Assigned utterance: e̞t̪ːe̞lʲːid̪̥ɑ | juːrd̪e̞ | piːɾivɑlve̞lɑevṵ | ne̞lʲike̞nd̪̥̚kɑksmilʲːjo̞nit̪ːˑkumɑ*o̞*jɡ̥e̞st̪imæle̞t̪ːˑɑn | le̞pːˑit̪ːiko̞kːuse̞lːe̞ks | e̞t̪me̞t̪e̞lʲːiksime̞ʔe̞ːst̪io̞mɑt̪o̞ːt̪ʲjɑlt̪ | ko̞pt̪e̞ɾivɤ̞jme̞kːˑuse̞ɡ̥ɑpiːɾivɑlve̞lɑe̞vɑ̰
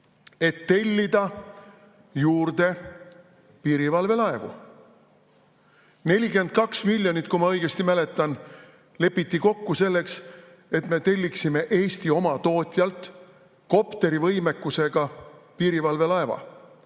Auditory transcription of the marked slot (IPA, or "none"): ɤ̞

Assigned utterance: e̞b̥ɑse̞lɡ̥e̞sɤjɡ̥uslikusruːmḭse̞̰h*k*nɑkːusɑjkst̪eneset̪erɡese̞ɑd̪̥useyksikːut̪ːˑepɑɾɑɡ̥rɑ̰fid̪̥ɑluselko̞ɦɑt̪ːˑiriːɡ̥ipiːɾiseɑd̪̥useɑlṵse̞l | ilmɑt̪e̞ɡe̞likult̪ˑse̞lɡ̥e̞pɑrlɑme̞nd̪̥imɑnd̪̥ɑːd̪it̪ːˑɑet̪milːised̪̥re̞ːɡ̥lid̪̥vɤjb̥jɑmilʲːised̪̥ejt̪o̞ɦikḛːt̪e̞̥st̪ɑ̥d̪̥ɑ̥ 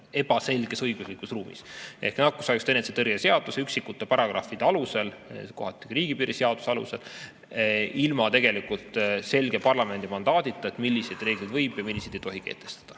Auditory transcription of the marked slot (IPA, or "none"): k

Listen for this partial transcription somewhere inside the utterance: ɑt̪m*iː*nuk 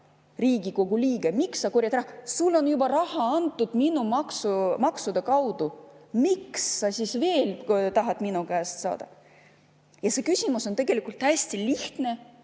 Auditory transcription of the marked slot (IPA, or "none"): i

